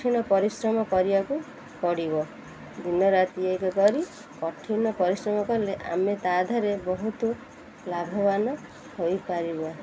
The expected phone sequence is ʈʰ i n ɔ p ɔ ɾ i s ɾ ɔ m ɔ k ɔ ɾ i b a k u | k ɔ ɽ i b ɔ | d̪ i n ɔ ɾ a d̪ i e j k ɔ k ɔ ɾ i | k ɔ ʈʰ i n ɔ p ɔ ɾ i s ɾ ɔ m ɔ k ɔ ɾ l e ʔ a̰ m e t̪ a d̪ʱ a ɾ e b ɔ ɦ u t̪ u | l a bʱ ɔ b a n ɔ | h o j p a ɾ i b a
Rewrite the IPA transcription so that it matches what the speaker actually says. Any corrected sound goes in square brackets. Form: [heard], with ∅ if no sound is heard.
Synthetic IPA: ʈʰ i n ɔ p ɔ ɾ i s ɾ ɔ m ɔ k ɔ ɾ i b a k u | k ɔ ɽ i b ɔ | d̪ i n ɔ ɾ a [t̪] i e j k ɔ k ɔ ɾ i | k ɔ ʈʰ i n ɔ p ɔ ɾ i s ɾ ɔ m ɔ k ɔ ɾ l e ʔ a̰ m e t̪ a d̪ʱ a ɾ e b ɔ ɦ u t̪ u | l a bʱ ɔ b a n ɔ | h o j p a ɾ i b a